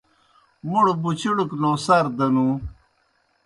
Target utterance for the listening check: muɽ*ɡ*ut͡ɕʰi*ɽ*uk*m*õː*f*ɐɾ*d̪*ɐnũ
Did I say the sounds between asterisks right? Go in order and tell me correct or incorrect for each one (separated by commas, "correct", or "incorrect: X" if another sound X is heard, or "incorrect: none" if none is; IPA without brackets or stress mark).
incorrect: b, correct, incorrect: n, incorrect: s, correct